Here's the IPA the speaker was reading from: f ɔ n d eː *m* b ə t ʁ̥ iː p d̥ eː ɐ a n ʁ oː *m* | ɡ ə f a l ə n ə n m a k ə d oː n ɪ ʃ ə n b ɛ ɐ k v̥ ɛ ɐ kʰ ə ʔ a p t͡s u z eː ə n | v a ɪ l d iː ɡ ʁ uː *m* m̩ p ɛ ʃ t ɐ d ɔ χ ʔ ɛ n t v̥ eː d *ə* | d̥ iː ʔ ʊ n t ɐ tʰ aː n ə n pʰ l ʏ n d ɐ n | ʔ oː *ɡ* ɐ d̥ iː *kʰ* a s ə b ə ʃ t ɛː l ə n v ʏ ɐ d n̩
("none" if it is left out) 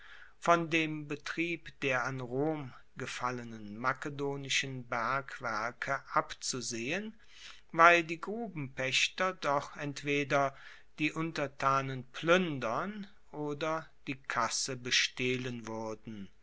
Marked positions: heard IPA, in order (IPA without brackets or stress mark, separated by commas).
m, m, b, ɐ, d, kʰ